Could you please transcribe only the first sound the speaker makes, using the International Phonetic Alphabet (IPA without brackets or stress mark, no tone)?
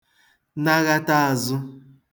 n